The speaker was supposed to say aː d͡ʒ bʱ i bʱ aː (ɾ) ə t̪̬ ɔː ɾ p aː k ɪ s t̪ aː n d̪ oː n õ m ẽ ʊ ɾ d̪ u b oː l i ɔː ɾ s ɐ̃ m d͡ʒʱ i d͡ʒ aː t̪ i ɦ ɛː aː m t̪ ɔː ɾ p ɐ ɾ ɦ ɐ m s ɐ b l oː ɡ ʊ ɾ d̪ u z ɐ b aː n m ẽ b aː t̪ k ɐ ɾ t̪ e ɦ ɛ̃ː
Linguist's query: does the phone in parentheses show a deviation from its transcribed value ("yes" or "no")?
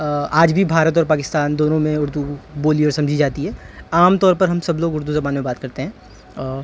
no